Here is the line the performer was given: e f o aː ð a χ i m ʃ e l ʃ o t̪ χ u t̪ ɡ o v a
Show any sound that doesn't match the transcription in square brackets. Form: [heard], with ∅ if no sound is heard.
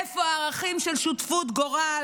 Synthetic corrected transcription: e f o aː [ʁ] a χ i m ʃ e l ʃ [u] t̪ [f] u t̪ ɡ o [ʁ] a